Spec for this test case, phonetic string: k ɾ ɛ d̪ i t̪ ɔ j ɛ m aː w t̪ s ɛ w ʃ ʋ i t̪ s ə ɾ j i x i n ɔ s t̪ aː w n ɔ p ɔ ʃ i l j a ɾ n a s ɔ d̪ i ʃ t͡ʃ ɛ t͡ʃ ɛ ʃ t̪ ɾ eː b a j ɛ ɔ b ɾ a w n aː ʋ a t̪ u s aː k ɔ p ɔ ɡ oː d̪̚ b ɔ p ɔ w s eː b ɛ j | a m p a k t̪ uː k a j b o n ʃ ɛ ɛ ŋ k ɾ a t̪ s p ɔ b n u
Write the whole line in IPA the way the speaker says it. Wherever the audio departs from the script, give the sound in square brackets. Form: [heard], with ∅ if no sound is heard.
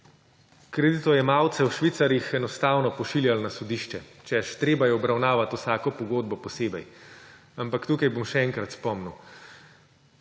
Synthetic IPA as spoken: k ɾ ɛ d̪ i t̪ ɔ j ɛ m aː w t̪ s ɛ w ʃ ʋ i t̪ s [a] ɾ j i x [ɛ] n ɔ s t̪ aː w n ɔ p ɔ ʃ i l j a [l] n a s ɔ d̪ i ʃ t͡ʃ ɛ t͡ʃ ɛ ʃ t̪ ɾ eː b a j ɛ ɔ b ɾ a w n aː ʋ a t̪ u s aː k ɔ p ɔ ɡ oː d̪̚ b ɔ p ɔ [∅] s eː b ɛ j | a m p a k t̪ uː k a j b o [m] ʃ ɛ ɛ ŋ k ɾ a t̪ s p ɔ [m] n u